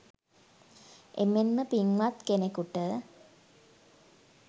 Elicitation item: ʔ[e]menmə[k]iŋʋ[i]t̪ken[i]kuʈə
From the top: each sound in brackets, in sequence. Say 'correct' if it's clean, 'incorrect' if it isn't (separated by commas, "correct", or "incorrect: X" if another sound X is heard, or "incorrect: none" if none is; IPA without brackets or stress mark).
correct, incorrect: p, incorrect: a, incorrect: e